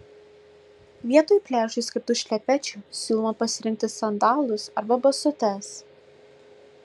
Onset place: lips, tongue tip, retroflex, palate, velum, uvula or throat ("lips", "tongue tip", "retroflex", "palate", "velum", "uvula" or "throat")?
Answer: lips